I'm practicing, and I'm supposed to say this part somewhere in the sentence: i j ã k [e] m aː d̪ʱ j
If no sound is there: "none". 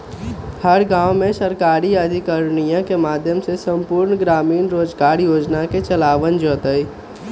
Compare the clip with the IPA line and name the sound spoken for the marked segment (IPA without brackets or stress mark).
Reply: e